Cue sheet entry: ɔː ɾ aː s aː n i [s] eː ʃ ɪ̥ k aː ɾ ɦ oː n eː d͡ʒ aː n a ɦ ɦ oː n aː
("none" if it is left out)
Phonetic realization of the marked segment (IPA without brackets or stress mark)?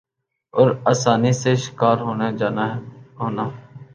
s